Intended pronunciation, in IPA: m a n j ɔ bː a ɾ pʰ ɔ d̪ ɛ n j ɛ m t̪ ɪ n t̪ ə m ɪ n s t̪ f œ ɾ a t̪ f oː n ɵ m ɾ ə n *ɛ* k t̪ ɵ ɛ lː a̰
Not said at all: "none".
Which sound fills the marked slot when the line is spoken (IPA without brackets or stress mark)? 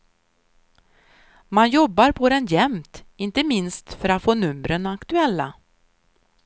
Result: a